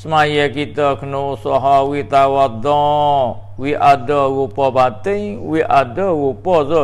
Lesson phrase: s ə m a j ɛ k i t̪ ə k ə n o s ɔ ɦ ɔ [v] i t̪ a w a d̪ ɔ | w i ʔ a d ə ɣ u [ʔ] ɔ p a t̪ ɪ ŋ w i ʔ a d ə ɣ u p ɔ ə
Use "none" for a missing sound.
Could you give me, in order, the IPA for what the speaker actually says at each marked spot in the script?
w, p

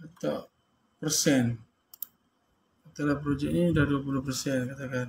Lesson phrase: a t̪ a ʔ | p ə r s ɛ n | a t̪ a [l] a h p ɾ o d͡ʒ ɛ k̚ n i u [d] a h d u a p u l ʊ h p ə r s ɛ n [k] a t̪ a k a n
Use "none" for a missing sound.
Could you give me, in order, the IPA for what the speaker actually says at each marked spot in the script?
l, d, k

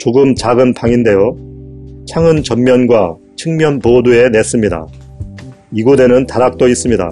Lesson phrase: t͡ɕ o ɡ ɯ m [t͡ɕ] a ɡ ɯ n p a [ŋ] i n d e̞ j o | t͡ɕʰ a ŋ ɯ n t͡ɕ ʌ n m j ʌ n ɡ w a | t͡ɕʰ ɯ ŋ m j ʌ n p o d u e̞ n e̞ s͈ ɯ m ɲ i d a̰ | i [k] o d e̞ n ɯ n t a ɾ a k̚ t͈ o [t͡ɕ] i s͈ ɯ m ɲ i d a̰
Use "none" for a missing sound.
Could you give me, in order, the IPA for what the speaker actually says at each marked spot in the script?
t͡ɕ, ŋ, ɡ, none

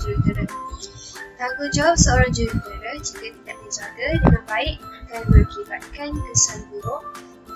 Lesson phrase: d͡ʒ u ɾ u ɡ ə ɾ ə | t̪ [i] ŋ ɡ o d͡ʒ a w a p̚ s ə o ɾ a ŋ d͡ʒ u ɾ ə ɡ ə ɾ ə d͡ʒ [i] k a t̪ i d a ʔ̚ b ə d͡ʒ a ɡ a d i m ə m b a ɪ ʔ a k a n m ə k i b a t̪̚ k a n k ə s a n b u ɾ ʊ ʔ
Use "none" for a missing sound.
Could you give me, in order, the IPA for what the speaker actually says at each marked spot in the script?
a, i

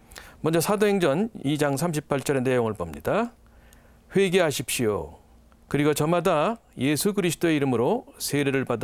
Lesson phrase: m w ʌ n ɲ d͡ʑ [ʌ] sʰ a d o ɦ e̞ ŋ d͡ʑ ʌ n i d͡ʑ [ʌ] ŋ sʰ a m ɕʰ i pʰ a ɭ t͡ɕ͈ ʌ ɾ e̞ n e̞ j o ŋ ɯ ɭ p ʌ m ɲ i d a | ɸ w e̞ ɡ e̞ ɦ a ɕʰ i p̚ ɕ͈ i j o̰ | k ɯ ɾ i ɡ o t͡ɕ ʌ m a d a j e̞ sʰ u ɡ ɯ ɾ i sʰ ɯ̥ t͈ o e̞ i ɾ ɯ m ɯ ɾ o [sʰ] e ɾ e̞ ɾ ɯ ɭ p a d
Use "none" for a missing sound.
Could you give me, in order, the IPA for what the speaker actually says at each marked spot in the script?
ʌ, a, sʰ

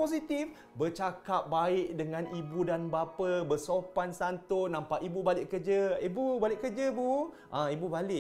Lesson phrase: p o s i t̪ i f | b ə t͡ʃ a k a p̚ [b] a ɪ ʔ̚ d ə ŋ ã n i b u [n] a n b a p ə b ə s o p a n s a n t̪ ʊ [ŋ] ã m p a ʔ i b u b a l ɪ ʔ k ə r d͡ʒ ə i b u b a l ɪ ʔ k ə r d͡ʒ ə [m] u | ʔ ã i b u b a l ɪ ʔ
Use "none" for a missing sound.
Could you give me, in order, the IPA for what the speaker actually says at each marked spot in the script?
b, d, n, b

